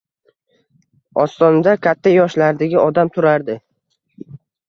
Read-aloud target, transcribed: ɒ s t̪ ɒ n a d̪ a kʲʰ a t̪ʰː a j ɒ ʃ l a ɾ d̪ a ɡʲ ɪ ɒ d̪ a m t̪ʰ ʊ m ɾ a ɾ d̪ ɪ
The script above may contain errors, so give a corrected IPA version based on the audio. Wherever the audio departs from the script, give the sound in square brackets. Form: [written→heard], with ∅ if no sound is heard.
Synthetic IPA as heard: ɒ s t̪ ɒ n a d̪ a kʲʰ a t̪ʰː a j ɒ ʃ l a ɾ d̪ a ɡʲ ɪ ɒ d̪ a m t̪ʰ ʊ [m→∅] ɾ a ɾ d̪ ɪ